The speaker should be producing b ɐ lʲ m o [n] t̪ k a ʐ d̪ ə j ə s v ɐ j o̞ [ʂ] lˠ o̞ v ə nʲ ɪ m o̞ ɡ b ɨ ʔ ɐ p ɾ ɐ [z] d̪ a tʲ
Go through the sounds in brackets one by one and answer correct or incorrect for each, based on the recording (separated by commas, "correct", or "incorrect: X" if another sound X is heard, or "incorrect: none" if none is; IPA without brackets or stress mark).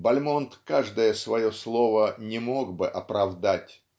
correct, incorrect: s, incorrect: v